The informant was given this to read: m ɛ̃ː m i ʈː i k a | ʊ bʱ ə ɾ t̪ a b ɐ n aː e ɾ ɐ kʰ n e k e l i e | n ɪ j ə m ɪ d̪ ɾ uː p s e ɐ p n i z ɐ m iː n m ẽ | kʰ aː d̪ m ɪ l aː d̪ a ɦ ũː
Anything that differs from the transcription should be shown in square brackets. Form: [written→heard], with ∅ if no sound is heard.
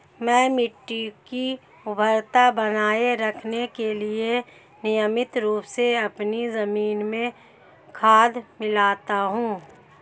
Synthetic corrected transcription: m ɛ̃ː m [i→ɪ] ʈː i k [a→i] | ʊ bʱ ə ɾ t̪ a b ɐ n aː e ɾ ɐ kʰ n e k e l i e | n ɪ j ə m ɪ [d̪→t̪] ɾ uː p s e ɐ p n i z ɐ m iː n m ẽ | kʰ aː d̪ m ɪ l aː [d̪→t̪] a ɦ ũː